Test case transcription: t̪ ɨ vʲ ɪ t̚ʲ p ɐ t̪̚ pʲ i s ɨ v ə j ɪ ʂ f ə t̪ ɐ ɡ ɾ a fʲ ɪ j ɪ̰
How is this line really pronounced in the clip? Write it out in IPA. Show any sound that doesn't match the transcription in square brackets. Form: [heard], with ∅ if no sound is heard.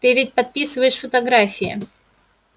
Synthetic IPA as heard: t̪ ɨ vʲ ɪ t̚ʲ p ɐ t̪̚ pʲ i s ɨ v ə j ɪ ʂ f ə t̪ ɐ ɡ ɾ a fʲ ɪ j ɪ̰